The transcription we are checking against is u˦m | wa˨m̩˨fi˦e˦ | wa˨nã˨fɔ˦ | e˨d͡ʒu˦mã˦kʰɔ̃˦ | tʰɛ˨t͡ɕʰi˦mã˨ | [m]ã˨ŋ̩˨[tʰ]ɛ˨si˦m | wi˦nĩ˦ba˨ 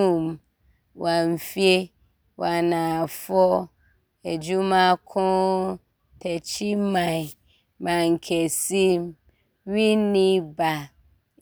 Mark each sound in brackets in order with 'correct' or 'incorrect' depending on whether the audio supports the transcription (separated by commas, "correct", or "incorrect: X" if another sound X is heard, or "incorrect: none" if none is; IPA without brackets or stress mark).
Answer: correct, incorrect: kʰ